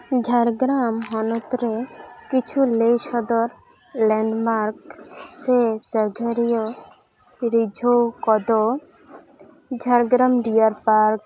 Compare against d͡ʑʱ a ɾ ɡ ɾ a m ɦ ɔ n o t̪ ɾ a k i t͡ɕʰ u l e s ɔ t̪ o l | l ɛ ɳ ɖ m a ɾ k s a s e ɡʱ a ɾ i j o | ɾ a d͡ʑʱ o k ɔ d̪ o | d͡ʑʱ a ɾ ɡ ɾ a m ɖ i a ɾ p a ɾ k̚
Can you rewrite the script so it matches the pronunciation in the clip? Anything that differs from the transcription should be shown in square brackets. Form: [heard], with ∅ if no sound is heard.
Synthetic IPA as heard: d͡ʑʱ a ɾ ɡ ɾ a m ɦ ɔ n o t̪ ɾ [e] k i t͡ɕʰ u l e [ʃ] ɔ [d̪] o [ɾ] | l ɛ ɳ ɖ m a ɾ k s [e] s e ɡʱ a ɾ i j o | ɾ [i] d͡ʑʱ o k ɔ d̪ o | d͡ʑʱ a ɾ ɡ ɾ a m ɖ i a ɾ p a ɾ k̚